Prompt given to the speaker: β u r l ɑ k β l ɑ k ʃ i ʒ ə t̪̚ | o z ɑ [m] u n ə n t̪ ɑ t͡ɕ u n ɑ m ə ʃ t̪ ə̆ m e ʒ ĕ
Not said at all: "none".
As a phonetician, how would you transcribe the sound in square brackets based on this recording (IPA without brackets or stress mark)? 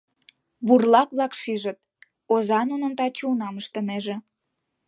n